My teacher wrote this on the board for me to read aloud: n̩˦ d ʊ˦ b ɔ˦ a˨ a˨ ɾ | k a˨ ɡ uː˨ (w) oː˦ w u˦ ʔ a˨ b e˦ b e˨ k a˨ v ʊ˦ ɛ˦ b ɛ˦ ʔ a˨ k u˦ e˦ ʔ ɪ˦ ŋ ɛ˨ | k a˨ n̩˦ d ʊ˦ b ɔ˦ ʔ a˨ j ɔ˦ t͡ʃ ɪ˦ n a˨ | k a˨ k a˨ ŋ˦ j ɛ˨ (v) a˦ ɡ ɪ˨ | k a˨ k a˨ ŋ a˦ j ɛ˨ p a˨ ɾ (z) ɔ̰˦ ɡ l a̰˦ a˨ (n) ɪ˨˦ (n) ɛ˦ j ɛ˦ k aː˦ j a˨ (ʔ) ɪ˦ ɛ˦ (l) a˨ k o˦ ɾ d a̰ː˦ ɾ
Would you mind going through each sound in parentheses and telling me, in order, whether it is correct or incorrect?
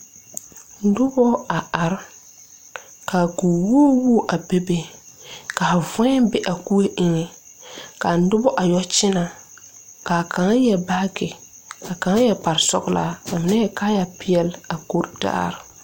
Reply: correct, incorrect: b, incorrect: s, incorrect: m, correct, incorrect: p, correct

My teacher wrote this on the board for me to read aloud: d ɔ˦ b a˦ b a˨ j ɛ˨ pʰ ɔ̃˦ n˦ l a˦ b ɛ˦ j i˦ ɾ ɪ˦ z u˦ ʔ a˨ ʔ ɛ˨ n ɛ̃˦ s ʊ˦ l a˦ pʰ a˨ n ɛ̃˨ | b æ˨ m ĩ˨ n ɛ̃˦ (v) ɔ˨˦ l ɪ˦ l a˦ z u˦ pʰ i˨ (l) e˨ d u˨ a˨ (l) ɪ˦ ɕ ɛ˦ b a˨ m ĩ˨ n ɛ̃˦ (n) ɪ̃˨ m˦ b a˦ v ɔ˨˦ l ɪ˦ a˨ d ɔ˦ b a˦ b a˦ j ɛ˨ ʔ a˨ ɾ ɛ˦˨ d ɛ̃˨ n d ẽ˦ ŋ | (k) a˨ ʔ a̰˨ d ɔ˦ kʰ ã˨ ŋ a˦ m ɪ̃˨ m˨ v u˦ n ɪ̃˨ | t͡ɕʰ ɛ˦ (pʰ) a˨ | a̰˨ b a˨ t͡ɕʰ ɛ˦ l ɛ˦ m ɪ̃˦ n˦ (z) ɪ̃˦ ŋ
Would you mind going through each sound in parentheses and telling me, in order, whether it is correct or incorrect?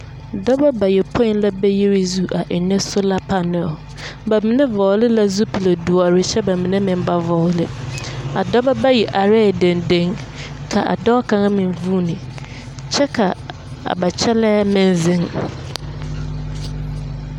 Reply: correct, correct, incorrect: ɾ, incorrect: m, incorrect: kʰ, incorrect: kʰ, correct

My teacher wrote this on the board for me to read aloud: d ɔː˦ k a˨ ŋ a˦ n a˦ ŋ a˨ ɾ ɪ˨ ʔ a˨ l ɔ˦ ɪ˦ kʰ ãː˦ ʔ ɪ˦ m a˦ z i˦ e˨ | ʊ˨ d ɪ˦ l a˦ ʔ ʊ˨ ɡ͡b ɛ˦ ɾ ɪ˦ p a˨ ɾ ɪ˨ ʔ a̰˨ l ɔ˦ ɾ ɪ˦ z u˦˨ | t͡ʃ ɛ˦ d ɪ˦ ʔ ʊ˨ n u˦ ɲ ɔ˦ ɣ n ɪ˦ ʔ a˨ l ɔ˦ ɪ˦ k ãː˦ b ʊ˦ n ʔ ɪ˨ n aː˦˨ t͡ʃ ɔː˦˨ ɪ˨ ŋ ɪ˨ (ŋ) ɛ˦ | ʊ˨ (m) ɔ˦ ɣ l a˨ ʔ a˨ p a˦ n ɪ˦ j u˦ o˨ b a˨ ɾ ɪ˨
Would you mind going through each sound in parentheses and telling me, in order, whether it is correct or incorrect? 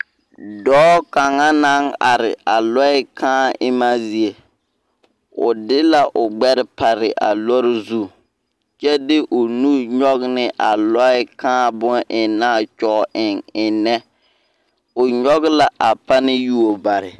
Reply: incorrect: n, incorrect: ɲ

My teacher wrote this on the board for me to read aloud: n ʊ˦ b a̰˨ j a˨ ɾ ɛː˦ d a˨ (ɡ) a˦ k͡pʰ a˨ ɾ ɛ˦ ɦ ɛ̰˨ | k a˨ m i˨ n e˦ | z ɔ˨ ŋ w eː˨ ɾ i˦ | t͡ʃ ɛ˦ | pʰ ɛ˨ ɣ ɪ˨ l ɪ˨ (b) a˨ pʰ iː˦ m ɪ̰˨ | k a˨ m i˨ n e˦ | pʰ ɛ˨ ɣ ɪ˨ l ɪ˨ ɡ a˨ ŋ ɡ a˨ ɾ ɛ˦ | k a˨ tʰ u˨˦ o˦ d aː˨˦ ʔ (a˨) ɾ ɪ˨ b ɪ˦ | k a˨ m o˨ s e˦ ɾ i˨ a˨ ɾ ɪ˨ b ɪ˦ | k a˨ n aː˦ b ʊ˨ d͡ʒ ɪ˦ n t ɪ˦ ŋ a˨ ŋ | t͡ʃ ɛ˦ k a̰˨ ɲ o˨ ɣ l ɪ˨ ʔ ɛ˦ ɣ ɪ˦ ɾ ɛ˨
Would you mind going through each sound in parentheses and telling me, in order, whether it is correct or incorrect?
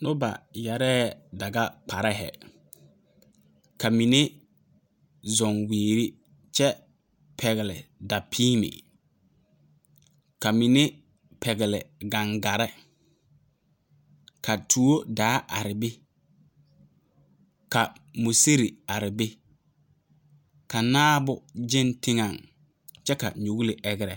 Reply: correct, incorrect: d, correct

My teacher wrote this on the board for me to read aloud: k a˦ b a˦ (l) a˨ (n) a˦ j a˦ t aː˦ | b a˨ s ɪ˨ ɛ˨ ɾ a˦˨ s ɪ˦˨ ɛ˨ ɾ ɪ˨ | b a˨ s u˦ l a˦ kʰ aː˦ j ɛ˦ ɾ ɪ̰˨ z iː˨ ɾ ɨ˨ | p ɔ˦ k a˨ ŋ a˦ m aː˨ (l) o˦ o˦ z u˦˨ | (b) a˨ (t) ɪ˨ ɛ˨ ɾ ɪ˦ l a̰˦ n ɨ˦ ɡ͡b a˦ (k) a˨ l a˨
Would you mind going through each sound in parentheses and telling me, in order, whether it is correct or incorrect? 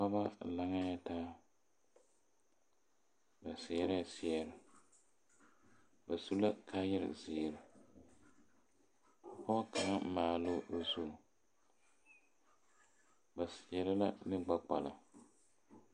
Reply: correct, incorrect: ŋ, correct, correct, incorrect: s, incorrect: k͡p

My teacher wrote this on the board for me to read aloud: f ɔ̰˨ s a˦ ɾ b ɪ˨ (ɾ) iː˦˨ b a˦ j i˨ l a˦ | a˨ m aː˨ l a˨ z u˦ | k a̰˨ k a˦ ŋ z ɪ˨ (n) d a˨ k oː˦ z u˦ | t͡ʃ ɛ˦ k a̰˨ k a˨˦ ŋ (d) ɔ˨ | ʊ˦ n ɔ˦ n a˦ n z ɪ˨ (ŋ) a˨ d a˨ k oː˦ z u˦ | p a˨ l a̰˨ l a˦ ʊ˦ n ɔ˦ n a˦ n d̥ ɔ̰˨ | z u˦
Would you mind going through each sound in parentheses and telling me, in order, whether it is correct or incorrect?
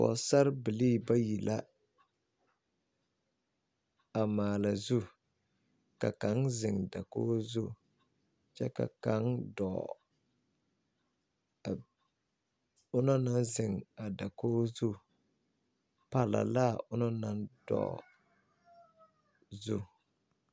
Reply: incorrect: l, incorrect: ŋ, correct, correct

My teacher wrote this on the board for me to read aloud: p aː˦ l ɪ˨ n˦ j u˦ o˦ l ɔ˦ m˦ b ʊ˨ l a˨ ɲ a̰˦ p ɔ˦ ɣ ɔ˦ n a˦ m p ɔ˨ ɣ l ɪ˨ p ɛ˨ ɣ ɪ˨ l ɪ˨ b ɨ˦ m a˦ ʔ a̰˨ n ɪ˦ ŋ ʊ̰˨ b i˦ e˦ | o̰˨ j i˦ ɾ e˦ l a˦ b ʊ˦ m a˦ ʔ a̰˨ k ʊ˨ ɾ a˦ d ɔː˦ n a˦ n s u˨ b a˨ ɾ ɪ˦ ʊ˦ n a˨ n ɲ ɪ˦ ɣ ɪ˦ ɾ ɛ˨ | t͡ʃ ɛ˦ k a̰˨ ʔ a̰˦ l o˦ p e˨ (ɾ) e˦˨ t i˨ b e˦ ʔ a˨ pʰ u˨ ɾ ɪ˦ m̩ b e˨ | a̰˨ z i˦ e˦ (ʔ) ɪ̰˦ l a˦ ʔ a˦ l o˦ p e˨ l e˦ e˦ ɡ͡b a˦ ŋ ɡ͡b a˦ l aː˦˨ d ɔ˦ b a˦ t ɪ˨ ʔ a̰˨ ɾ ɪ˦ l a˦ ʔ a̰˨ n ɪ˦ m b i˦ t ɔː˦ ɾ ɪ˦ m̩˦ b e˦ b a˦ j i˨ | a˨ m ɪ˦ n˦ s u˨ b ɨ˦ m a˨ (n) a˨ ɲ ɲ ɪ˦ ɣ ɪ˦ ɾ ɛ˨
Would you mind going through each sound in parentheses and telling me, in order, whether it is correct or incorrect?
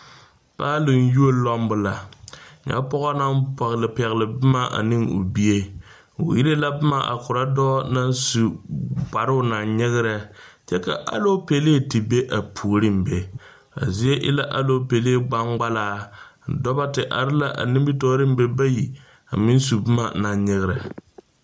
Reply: incorrect: l, correct, correct

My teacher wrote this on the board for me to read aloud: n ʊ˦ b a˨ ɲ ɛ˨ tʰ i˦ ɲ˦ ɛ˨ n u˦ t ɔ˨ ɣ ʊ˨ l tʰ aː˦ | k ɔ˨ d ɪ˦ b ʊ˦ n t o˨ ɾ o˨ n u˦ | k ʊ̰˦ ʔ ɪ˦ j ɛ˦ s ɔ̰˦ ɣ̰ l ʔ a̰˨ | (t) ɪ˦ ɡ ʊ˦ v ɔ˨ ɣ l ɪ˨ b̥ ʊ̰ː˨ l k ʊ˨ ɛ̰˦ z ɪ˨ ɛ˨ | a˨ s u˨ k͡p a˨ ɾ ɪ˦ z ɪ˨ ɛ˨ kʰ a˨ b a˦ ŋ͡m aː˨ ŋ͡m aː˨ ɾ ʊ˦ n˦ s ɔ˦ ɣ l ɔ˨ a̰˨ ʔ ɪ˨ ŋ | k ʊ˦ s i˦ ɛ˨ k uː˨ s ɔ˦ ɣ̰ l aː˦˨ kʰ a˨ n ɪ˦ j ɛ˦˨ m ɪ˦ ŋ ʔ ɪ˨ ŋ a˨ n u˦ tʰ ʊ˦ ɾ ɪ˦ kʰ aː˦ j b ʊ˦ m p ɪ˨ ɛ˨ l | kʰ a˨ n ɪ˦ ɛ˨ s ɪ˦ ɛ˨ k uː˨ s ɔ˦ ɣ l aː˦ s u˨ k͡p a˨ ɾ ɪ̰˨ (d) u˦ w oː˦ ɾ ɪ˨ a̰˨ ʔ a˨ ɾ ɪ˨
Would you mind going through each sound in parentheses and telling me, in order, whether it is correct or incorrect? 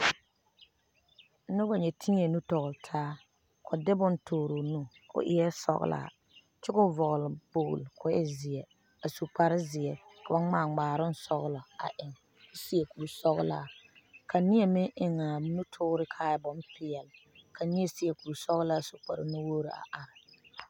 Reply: incorrect: t͡ʃ, incorrect: n

